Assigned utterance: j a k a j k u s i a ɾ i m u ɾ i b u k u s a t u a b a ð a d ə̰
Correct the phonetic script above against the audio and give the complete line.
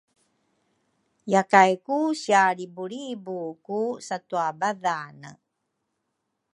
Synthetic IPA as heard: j a k a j k u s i a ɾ i b u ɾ i b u k u s a t u a b a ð a n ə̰